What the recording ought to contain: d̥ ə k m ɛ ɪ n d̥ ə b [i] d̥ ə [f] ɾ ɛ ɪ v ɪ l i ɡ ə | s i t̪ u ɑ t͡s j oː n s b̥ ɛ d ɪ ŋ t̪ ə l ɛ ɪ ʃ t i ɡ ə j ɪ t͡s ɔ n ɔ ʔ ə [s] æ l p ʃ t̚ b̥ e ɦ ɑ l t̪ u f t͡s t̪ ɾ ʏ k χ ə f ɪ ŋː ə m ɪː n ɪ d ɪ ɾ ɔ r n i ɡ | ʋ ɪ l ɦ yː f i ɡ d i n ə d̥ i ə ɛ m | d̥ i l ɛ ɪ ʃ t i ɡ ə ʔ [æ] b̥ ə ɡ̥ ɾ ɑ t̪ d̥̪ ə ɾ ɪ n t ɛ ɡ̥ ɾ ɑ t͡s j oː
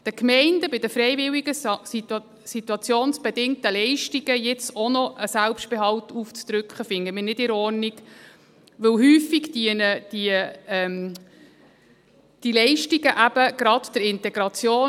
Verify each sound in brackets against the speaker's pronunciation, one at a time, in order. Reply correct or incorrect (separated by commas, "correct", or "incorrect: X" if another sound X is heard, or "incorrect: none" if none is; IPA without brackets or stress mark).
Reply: incorrect: ɪ, correct, correct, correct